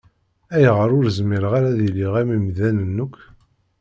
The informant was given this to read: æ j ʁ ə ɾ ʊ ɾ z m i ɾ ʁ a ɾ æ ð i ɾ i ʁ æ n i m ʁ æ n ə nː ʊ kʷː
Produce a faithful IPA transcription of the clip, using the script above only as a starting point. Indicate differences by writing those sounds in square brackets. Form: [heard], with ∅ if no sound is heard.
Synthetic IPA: æ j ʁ ə ɾ ʊ ɾ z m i ɾ ʁ a ɾ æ ð i [l] i ʁ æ [m] i m [ð] æ n ə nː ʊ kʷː